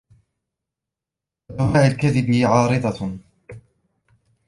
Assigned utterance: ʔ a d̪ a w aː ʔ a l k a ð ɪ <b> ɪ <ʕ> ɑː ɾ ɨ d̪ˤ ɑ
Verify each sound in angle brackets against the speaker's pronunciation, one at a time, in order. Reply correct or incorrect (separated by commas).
correct, correct